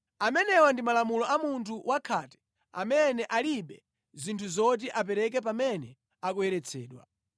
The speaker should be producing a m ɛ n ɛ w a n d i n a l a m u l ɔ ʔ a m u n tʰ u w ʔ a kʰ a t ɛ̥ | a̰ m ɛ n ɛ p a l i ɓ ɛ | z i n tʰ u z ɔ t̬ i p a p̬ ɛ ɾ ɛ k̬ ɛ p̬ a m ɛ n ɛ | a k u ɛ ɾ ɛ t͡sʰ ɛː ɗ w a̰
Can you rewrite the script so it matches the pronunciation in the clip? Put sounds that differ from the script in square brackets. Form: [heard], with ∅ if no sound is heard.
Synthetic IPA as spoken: a m ɛ n ɛ w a n d i [m] a l a m u l ɔ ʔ a m u n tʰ u w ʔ a kʰ a t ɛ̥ | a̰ m ɛ n ɛ [ʔ] a l i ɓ ɛ | z i n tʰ u z ɔ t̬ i [ʔ] a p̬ ɛ ɾ ɛ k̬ ɛ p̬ a m ɛ n ɛ | a k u ɛ ɾ ɛ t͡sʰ ɛː ɗ w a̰